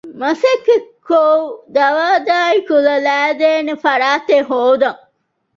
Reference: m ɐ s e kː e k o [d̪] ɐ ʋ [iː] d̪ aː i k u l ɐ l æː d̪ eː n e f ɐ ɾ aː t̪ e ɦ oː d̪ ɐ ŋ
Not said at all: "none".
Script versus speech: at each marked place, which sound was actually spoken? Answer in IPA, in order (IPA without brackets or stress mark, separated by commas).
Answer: d̪, aː